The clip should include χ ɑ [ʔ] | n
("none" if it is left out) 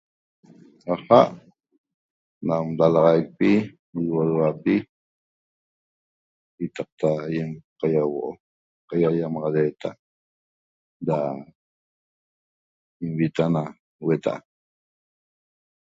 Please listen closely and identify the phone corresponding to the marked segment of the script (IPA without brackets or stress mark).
ʔ